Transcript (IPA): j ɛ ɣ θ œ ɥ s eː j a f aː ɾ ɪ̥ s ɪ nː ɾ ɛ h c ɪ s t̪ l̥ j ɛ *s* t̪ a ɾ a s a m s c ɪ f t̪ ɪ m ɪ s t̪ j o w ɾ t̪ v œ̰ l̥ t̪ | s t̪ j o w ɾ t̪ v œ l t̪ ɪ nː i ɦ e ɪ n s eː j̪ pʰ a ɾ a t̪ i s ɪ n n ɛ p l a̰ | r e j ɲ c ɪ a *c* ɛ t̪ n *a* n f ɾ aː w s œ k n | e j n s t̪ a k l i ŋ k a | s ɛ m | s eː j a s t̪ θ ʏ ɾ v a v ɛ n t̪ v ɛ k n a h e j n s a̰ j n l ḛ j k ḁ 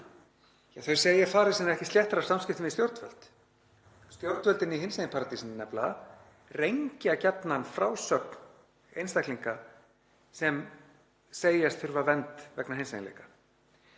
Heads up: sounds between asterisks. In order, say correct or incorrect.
incorrect: h, correct, correct

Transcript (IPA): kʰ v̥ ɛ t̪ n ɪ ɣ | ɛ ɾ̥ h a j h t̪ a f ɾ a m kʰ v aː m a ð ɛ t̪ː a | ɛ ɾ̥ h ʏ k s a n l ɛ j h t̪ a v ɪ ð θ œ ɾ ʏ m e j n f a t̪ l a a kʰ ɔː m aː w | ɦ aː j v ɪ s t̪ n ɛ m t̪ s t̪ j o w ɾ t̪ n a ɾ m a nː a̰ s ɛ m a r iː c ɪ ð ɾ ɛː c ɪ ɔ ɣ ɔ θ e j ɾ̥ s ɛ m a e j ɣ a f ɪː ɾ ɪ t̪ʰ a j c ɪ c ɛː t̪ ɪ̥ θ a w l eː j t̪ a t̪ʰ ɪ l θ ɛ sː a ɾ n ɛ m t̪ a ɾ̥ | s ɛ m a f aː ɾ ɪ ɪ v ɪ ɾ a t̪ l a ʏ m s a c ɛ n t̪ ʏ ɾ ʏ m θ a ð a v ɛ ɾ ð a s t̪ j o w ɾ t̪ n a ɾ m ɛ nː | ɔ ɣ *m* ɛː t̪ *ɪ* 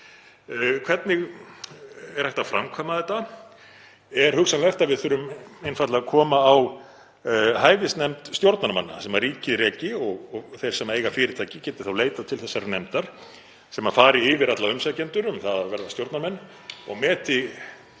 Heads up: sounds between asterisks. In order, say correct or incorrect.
correct, correct

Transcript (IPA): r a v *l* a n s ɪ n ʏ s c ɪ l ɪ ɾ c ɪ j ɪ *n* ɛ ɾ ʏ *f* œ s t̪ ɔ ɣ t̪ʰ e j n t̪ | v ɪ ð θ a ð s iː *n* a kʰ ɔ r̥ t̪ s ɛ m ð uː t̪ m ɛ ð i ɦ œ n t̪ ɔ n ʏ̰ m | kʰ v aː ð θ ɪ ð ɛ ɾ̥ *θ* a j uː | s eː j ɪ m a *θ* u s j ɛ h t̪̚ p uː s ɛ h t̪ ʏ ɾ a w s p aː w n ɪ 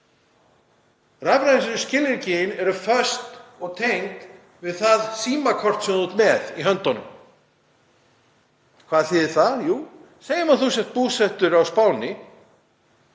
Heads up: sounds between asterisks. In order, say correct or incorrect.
incorrect: ɾ, correct, correct, incorrect: m, correct, correct

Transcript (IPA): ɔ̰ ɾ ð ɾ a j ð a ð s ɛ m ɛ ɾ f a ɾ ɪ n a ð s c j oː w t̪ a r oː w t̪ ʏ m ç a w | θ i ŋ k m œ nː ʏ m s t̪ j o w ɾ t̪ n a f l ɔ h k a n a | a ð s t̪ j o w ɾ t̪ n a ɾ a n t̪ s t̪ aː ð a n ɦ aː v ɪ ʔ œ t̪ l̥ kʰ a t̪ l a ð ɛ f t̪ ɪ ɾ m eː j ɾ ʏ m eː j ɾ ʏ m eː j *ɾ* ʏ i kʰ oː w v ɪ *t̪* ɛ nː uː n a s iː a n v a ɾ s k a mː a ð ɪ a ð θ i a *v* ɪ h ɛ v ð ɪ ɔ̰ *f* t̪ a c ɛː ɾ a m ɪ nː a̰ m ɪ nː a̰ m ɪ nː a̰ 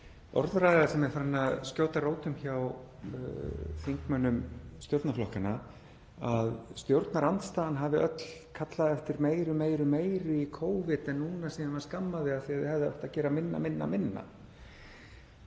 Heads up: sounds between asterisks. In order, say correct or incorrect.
correct, correct, incorrect: ð, incorrect: h

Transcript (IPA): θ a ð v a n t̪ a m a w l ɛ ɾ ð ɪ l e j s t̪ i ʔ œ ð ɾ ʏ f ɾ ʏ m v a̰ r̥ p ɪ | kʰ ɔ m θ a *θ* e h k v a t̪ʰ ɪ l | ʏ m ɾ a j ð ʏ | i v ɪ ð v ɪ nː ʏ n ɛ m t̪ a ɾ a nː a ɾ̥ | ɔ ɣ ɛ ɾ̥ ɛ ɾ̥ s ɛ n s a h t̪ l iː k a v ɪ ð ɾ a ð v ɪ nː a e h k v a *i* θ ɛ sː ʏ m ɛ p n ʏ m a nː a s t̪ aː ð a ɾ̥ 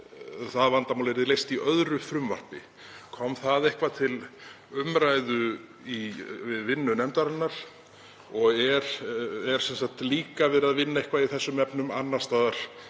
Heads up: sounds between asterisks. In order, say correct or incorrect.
incorrect: ð, correct

